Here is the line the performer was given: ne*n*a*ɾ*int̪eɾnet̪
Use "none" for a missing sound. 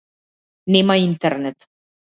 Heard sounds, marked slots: m, none

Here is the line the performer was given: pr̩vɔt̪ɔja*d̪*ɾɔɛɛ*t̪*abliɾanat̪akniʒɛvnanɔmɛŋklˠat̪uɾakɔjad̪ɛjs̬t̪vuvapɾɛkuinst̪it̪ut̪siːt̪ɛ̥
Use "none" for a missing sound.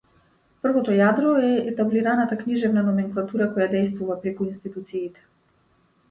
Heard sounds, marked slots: d̪, t̪

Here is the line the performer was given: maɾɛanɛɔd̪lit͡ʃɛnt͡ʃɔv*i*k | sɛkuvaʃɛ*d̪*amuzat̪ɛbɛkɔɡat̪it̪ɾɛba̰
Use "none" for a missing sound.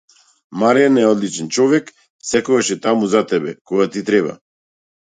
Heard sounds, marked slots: ɛ, t̪

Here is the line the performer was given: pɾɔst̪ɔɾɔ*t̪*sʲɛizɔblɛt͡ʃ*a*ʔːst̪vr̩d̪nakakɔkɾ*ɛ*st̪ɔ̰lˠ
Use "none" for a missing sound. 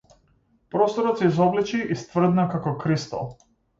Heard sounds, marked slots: t̪, i, i

